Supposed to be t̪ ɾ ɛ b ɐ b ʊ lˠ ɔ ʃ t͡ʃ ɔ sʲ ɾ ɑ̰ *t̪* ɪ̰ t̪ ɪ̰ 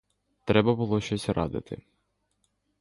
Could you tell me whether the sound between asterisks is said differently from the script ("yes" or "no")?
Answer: yes